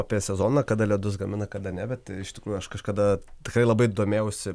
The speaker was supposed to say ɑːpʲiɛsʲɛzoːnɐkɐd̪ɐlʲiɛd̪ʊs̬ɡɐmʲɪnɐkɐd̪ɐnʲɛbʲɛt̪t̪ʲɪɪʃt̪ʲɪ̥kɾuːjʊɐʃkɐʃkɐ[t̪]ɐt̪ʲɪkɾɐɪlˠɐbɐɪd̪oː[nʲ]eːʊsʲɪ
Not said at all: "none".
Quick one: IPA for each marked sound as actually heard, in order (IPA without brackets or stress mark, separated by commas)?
d̪, mʲ